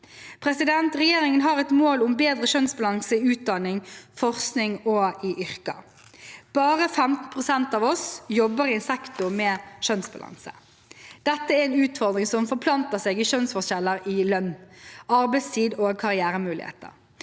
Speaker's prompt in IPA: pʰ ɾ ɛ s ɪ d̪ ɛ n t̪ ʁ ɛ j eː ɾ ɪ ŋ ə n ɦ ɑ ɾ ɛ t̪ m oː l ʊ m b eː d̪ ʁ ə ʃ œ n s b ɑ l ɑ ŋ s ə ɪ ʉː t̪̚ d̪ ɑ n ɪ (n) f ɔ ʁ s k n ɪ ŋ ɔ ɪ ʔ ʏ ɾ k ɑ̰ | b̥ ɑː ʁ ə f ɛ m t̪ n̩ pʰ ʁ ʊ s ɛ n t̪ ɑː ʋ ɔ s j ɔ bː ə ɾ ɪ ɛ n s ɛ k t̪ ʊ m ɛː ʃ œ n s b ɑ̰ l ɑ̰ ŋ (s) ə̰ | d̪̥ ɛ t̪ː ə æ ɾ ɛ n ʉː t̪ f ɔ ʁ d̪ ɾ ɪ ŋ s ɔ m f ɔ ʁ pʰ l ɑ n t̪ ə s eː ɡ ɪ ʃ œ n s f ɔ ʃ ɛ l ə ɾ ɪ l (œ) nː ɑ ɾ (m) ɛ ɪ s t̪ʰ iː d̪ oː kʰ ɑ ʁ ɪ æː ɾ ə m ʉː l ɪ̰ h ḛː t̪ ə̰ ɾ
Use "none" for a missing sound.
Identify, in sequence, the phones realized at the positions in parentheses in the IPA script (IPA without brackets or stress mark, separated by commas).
ŋ, s, œ, b